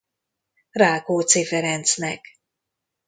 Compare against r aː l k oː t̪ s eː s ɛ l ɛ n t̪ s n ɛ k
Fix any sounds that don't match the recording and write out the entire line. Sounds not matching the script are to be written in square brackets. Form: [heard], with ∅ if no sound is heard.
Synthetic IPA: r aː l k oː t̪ s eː [f] ɛ [ɾ] ɛ n t̪ s n ɛ k